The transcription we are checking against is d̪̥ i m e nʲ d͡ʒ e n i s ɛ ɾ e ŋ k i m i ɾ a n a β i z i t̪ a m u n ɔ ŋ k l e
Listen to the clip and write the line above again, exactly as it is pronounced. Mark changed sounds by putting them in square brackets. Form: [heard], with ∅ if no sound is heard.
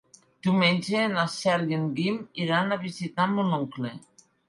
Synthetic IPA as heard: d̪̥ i m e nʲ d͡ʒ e n [a] s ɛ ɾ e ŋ [ɡ] i m i ɾ a n a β i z i t̪ a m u n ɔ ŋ k l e